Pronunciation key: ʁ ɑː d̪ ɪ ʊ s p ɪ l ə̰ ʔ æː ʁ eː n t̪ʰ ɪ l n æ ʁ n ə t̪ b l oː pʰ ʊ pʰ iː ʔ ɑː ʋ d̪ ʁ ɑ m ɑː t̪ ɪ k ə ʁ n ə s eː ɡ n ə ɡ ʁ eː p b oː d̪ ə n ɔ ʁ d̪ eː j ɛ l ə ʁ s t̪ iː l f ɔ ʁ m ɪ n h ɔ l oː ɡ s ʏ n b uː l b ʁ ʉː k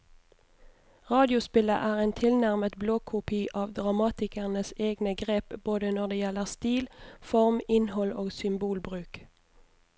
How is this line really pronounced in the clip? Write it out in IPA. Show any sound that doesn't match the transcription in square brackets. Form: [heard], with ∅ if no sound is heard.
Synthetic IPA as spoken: ʁ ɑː d̪ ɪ ʊ s p ɪ l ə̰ ʔ æː ʁ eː n t̪ʰ ɪ l n æ ʁ [m] ə t̪ b l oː [kʰ] ʊ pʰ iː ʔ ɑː ʋ d̪ ʁ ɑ m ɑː t̪ ɪ k ə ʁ n ə s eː ɡ n ə ɡ ʁ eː p b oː d̪ ə n ɔ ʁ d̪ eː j ɛ l ə ʁ s t̪ iː l f ɔ ʁ m ɪ n h ɔ l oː ɡ s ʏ [m] b uː l b ʁ ʉː k